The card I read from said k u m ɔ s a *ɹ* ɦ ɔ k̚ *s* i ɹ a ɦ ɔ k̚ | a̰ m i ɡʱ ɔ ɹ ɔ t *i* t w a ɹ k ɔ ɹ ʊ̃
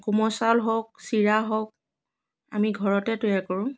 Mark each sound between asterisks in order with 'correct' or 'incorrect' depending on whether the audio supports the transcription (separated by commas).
incorrect, correct, incorrect